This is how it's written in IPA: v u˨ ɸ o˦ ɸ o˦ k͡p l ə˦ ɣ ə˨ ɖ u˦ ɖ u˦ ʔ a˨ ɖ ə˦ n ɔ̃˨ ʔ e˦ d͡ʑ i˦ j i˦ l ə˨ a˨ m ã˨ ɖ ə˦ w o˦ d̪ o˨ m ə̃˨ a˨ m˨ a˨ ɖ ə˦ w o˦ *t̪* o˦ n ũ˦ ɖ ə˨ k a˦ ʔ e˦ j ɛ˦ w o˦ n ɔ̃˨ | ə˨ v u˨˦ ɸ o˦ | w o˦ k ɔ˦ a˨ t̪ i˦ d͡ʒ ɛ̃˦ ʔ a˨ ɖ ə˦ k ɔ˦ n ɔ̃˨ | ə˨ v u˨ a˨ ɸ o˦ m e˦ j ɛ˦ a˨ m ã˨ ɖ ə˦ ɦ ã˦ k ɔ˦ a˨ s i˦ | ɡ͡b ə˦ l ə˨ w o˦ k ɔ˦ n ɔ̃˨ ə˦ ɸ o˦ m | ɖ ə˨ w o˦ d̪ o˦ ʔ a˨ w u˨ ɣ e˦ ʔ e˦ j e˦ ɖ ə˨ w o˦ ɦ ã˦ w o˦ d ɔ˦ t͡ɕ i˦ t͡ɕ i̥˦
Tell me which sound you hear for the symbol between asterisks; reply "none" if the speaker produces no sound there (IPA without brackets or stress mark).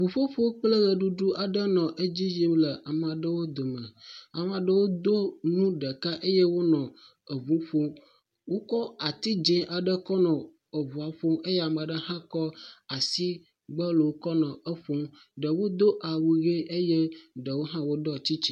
d̪